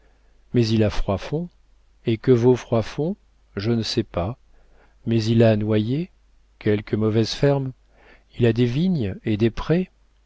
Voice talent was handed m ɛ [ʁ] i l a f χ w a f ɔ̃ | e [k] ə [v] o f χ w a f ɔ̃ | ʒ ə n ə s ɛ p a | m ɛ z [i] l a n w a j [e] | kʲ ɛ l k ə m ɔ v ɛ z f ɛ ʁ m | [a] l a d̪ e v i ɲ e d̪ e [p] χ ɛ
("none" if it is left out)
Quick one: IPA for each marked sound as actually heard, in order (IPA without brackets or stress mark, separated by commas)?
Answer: z, k, v, i, e, i, p